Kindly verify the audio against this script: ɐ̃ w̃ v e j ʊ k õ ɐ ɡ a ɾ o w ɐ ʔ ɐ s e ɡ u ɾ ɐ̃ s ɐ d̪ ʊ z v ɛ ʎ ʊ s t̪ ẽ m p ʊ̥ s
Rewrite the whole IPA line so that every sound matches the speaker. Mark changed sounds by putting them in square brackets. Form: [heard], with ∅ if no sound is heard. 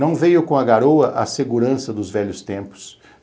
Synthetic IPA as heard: ɐ̃ w̃ v e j ʊ k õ ɐ ɡ a ɾ o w ɐ ʔ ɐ s e ɡ u ɾ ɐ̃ s ɐ d̪ ʊ z v ɛ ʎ ʊ s t̪ ẽ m p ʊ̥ s

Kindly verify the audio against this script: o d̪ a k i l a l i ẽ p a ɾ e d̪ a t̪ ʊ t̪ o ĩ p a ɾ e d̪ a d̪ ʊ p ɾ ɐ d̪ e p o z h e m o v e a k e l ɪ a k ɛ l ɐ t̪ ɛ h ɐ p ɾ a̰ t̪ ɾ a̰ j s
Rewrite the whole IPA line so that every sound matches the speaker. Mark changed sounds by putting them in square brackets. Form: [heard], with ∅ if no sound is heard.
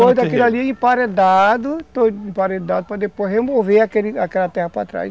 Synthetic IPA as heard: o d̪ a k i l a l i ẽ p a ɾ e d̪ a [d̪] ʊ t̪ o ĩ p a ɾ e d̪ a d̪ ʊ p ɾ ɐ d̪ e p o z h e m o v e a k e l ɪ a k ɛ l ɐ t̪ ɛ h ɐ p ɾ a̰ t̪ ɾ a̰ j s

